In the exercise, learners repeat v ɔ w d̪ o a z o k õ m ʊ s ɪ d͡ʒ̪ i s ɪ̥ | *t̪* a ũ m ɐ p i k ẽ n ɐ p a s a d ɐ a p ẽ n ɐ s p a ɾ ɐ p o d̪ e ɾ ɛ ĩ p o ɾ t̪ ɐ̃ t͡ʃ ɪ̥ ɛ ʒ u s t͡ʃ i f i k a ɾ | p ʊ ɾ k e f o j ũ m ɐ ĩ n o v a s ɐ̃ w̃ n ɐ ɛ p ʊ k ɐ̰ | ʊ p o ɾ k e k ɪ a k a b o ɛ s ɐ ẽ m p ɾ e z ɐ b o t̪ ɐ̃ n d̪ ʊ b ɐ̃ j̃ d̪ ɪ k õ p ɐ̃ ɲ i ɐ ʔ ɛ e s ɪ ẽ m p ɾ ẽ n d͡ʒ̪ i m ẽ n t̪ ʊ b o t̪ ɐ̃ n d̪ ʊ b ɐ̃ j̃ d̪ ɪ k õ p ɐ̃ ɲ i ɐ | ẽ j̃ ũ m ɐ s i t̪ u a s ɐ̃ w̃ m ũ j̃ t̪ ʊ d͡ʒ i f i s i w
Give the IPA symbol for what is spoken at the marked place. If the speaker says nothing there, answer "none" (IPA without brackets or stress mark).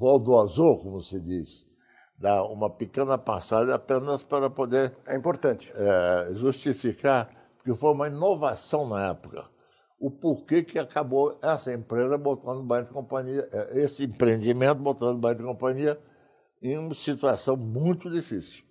d̪